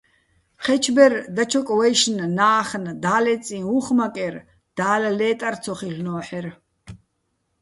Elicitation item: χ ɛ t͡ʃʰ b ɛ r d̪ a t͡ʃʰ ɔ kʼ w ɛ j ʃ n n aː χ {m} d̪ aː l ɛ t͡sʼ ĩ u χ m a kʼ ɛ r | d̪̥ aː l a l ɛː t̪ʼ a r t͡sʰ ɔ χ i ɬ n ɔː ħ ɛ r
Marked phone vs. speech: incorrect: n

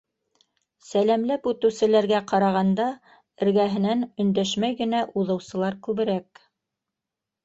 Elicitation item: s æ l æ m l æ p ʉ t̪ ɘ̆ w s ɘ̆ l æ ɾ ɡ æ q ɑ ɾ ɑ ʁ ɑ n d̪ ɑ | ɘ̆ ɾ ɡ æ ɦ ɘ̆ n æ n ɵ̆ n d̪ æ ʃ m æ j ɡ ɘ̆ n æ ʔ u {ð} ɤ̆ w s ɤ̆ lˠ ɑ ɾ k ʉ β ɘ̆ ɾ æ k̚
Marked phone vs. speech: correct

